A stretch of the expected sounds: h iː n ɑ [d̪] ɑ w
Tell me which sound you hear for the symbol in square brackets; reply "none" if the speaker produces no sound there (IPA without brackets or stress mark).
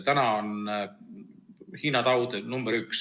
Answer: t̪